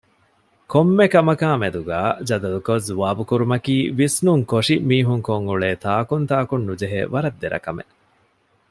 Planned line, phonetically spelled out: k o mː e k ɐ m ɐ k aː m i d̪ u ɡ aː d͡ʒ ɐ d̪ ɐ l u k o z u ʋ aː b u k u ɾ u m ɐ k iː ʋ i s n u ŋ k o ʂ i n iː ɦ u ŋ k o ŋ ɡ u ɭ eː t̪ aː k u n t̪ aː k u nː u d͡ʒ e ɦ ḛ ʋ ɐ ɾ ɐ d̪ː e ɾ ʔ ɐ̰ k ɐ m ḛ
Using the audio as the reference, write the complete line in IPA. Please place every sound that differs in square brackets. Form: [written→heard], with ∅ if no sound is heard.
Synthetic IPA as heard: k o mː e k ɐ m ɐ k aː m [i→e] d̪ u ɡ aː d͡ʒ ɐ d̪ ɐ l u k o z u ʋ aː b u k u ɾ u m ɐ k iː ʋ i s n u ŋ k o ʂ i [n→m] iː ɦ u ŋ k o ŋ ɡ u ɭ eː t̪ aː k u n t̪ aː k u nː u d͡ʒ e ɦ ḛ ʋ ɐ ɾ ɐ d̪ː e ɾ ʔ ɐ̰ k ɐ m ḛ

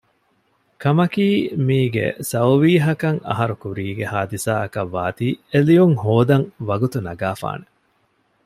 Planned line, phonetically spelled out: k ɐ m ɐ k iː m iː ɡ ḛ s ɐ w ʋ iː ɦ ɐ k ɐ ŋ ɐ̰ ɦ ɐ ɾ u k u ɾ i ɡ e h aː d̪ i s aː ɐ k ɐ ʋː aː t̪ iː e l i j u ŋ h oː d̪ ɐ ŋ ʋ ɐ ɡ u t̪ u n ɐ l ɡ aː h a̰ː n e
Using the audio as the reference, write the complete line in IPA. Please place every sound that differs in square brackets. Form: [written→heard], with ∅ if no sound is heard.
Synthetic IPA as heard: k ɐ m ɐ k iː m iː ɡ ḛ s ɐ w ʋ iː ɦ ɐ k ɐ ŋ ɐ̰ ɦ ɐ ɾ u k u ɾ [i→iː] ɡ e h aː d̪ i s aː ɐ k ɐ ʋː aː t̪ iː e l i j u ŋ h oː d̪ ɐ ŋ ʋ ɐ ɡ u t̪ u n ɐ [l→∅] ɡ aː [h→f] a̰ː n e

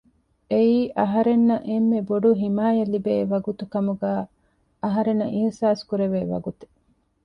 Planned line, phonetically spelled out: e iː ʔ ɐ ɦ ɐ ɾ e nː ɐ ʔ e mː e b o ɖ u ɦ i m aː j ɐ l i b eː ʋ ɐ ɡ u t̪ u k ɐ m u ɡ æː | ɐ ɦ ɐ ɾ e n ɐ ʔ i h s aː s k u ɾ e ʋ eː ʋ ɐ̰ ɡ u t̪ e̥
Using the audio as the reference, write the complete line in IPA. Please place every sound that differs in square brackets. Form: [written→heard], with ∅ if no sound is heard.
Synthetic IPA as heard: e iː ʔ ɐ ɦ ɐ ɾ e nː ɐ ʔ e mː e b o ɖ u ɦ i m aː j ɐ l i b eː ʋ ɐ ɡ u t̪ u k ɐ m u ɡ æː | ɐ ɦ ɐ ɾ e n ɐ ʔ i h s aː s k u ɾ e ʋ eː ʋ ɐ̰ ɡ u t̪ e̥

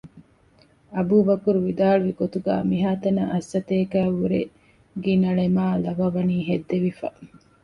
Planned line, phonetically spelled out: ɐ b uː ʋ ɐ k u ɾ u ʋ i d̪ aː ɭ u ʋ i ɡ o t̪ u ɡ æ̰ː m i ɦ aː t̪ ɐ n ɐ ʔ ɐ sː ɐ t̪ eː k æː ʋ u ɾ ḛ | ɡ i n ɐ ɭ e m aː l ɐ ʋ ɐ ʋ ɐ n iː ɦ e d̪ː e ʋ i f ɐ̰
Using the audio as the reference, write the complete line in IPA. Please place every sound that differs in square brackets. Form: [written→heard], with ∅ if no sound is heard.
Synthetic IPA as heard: ɐ b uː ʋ ɐ k u ɾ u ʋ i d̪ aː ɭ u ʋ i ɡ o t̪ u ɡ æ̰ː m i ɦ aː t̪ ɐ n ɐ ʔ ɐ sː ɐ t̪ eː k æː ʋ u ɾ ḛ | ɡ i n ɐ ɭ e m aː l ɐ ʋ ɐ ʋ ɐ n iː ɦ e d̪ː e ʋ i f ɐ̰

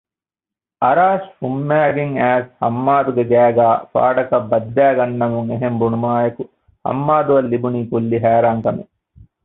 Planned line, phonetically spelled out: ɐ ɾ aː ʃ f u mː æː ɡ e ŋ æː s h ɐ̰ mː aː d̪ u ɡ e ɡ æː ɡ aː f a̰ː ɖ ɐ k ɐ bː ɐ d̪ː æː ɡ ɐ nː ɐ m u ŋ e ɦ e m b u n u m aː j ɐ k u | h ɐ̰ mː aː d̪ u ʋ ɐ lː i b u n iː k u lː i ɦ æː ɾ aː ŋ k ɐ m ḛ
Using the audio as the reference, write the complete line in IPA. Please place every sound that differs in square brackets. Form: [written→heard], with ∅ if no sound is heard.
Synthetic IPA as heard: ɐ ɾ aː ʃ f u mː æː ɡ e ŋ æː s h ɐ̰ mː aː d̪ u ɡ e ɡ æː ɡ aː f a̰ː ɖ ɐ k ɐ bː ɐ d̪ː æː ɡ ɐ nː ɐ m u ŋ e ɦ e m b u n u m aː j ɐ k u | h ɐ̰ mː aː d̪ u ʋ ɐ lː i b u n iː k u lː i ɦ æː ɾ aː ŋ k ɐ m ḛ

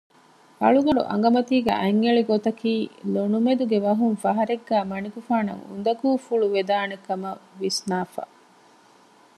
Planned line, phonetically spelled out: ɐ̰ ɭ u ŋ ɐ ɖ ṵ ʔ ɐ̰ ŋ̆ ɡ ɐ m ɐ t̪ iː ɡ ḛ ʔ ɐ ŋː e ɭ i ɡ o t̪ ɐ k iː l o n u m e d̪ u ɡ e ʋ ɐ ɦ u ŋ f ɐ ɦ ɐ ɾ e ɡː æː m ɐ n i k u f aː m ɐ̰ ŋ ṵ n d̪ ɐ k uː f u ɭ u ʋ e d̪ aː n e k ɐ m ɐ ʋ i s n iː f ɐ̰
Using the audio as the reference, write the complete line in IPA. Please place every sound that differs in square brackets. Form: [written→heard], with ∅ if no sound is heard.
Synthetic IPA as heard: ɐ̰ ɭ u [ŋ→ɡ] ɐ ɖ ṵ ʔ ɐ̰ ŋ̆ ɡ ɐ m ɐ t̪ iː ɡ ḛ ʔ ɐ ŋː e ɭ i ɡ o t̪ ɐ k iː l o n u m e d̪ u ɡ e ʋ ɐ ɦ u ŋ f ɐ ɦ ɐ ɾ e ɡː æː m ɐ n i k u f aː [m→n] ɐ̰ ŋ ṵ n d̪ ɐ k uː f u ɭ u ʋ e d̪ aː n e k ɐ m ɐ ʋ i s n [iː→aː] f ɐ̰

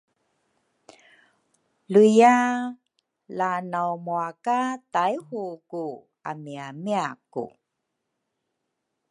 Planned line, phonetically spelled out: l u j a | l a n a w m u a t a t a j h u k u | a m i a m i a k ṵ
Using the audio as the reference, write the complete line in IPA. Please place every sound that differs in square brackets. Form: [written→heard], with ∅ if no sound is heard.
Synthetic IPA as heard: l u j a | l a n a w m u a [t→k] a t a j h u k u | a m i a m i a k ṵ

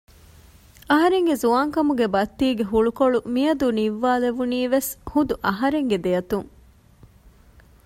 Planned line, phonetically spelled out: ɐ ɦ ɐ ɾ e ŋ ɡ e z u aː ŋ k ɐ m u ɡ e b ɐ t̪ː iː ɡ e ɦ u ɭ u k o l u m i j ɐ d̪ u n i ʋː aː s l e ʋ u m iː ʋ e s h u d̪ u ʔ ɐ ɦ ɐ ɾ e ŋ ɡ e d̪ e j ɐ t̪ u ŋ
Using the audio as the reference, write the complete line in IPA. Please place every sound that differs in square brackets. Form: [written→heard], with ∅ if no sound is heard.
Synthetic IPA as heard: ɐ ɦ ɐ ɾ e ŋ ɡ e z u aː ŋ k ɐ m u ɡ e b ɐ t̪ː iː ɡ e ɦ u ɭ u k o [l→ɭ] u m i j ɐ d̪ u n i ʋː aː [s→∅] l e ʋ u [m→n] iː ʋ e s h u d̪ u ʔ ɐ ɦ ɐ ɾ e ŋ ɡ e d̪ e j ɐ t̪ u ŋ

